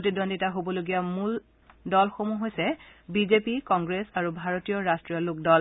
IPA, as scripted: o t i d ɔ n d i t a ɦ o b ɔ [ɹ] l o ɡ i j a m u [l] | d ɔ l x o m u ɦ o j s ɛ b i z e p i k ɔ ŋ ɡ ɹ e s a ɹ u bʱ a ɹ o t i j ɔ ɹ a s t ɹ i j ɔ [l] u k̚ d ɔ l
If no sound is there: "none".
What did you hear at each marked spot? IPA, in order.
none, l, l

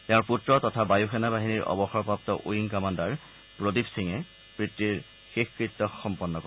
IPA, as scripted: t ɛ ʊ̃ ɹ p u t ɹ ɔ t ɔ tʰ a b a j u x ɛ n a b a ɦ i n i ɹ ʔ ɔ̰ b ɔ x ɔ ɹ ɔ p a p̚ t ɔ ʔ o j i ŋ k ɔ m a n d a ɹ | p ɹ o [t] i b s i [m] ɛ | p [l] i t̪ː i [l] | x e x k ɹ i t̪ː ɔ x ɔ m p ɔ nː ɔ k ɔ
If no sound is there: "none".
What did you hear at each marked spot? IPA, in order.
d, ŋ, ɹ, ɹ

